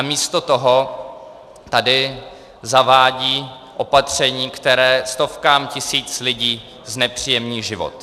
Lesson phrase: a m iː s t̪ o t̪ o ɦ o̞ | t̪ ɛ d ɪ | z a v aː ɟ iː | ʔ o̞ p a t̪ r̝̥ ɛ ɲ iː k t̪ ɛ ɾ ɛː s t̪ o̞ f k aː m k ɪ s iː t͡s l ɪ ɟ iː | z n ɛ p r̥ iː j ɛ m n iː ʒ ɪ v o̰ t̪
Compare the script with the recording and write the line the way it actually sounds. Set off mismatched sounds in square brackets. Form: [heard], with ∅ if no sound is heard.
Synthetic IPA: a m iː s t̪ o t̪ o ɦ o̞ | t̪ [a] d ɪ | z a v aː ɟ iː | ʔ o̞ p a t̪ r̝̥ ɛ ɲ iː k t̪ ɛ ɾ ɛː s t̪ o̞ f k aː m [c] ɪ s iː t͡s l ɪ ɟ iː | z n ɛ p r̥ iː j ɛ m n iː ʒ ɪ v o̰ t̪